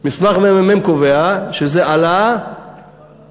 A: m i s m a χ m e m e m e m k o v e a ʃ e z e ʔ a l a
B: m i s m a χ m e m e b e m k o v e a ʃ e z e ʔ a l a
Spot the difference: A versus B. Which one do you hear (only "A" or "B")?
A